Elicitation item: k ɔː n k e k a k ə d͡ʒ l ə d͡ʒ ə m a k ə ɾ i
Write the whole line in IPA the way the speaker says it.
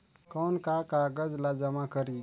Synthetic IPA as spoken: k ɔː n k a k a ɡ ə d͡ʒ l a d͡ʒ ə m a k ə ɾ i